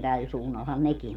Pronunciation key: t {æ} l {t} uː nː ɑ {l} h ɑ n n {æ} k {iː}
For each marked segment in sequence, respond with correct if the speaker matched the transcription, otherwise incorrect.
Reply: correct, incorrect: s, correct, incorrect: e, incorrect: i

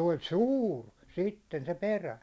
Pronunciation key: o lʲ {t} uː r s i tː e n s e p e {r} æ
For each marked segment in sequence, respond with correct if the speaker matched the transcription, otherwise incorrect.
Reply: incorrect: s, correct

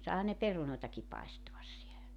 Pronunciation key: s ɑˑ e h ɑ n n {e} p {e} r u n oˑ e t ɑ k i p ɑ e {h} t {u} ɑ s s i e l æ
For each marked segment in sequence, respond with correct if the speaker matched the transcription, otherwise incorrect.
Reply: correct, correct, incorrect: s, incorrect: o

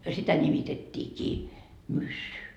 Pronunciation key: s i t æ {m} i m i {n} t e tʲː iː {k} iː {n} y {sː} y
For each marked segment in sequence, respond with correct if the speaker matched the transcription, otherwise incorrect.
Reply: incorrect: n, incorrect: none, correct, incorrect: m, correct

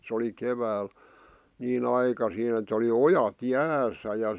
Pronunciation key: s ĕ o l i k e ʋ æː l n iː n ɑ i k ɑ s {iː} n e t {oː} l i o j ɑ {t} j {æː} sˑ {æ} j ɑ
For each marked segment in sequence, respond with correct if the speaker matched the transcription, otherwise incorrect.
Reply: correct, incorrect: o, correct, correct, correct

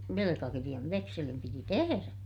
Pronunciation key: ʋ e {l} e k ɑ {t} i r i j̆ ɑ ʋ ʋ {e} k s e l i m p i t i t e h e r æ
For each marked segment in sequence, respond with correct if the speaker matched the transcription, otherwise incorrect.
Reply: correct, incorrect: k, correct

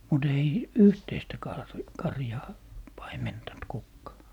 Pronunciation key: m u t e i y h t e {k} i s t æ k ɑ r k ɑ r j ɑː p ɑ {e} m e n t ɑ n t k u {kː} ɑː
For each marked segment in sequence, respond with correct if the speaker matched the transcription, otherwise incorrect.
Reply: incorrect: none, incorrect: i, correct

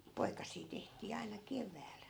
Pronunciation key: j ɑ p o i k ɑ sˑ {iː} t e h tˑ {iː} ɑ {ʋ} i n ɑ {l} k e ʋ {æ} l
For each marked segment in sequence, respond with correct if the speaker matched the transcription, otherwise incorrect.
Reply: correct, correct, incorrect: none, incorrect: none, incorrect: æː

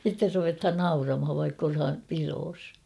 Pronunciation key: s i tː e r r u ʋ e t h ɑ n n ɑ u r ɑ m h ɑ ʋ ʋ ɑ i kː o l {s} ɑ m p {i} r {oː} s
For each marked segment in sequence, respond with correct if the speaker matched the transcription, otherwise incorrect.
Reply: incorrect: h, correct, correct

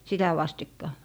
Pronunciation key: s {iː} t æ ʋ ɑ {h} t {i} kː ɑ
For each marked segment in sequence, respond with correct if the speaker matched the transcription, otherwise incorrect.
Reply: incorrect: i, incorrect: s, correct

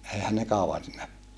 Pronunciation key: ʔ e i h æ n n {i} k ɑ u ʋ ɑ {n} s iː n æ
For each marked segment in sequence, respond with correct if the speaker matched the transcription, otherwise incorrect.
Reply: incorrect: e, correct

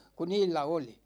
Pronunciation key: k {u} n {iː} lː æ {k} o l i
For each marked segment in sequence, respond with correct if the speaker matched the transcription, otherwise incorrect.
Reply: correct, correct, incorrect: none

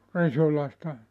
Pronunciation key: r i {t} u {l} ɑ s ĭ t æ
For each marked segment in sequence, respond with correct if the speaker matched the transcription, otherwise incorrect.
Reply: incorrect: s, correct

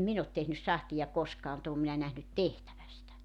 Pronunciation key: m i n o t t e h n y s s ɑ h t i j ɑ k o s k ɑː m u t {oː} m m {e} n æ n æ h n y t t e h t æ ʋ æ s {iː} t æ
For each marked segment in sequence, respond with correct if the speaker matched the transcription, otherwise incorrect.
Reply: correct, incorrect: i, incorrect: i

